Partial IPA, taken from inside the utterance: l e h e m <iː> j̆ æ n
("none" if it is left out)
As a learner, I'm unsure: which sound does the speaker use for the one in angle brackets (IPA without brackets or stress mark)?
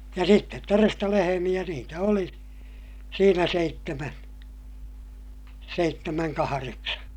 i